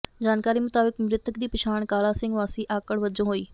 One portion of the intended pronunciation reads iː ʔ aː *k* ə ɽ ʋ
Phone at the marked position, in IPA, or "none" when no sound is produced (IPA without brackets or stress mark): k